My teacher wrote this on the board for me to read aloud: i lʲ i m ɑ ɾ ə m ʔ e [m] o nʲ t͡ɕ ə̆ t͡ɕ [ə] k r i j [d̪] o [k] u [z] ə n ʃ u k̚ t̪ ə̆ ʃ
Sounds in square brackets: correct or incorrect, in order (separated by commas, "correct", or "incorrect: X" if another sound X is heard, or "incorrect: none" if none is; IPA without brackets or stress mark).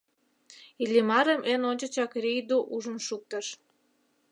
incorrect: n, incorrect: ɑ, correct, incorrect: ʔ, incorrect: ʒ